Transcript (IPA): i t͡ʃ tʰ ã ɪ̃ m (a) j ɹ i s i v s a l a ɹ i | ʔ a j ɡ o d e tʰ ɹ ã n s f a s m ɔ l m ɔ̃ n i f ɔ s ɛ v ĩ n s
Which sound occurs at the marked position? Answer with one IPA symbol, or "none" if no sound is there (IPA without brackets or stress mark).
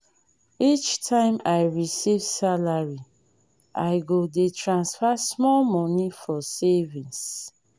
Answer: a